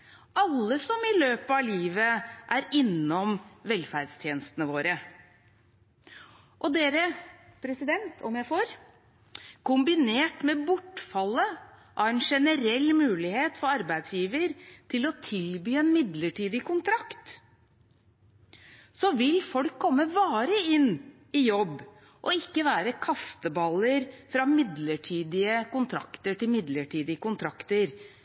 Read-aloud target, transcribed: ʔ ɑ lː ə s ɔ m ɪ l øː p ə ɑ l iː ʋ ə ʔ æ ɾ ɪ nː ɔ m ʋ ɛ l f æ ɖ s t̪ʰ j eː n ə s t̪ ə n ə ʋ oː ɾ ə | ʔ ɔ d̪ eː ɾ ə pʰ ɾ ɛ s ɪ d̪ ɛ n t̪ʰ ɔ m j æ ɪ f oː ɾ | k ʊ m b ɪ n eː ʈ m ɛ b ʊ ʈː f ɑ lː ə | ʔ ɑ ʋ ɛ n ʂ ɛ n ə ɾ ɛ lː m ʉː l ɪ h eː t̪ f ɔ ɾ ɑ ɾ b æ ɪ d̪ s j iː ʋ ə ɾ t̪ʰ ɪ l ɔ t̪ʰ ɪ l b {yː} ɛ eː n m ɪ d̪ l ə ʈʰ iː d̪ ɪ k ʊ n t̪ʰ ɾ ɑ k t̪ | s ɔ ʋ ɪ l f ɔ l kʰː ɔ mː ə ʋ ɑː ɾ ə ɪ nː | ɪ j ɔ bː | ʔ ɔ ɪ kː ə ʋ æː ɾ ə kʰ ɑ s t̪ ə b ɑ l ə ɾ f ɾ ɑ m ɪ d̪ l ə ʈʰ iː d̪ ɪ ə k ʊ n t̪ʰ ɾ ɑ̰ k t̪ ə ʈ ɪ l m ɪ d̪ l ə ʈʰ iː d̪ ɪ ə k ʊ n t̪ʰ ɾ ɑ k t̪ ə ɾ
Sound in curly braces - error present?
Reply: no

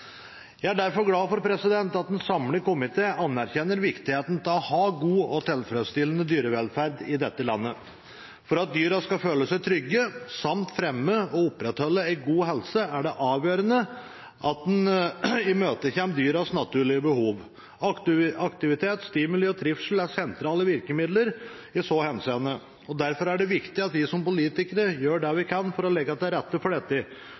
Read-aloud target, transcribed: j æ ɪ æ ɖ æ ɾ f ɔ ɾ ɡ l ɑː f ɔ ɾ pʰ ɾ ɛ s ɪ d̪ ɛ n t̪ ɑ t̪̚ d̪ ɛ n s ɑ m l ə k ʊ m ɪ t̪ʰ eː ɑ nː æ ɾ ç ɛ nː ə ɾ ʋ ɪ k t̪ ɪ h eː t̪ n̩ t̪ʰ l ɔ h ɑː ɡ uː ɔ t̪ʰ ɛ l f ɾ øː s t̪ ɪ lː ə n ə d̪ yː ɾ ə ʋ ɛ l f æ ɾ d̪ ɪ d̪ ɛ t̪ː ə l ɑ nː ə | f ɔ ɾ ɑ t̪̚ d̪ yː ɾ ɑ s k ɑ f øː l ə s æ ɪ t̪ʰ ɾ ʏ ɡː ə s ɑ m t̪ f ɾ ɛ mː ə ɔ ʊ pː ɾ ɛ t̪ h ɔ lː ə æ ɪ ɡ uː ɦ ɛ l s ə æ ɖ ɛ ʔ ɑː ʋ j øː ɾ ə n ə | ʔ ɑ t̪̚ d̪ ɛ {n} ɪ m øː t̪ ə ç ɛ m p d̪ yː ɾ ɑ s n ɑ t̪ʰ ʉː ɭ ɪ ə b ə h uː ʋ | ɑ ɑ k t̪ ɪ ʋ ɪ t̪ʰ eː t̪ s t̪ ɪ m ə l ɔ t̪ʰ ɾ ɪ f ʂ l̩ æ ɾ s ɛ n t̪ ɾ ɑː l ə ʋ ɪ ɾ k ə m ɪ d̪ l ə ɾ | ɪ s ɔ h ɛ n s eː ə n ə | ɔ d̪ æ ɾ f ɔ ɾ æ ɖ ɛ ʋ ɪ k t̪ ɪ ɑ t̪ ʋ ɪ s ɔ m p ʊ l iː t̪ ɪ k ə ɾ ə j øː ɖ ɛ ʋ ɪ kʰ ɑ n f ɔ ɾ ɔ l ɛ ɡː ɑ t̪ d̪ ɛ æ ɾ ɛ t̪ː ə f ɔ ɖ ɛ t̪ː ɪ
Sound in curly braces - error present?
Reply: no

